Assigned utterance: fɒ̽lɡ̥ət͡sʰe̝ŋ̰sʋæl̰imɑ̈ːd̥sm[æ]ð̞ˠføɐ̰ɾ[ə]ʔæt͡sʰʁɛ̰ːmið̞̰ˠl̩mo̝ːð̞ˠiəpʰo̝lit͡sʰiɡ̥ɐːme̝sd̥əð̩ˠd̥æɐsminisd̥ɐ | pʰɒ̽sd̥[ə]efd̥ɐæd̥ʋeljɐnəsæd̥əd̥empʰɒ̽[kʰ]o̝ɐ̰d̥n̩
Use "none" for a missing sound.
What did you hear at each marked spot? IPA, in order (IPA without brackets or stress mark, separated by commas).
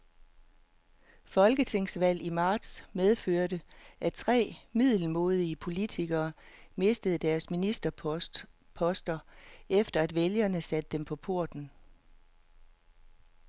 e, ə, ɐ, pʰ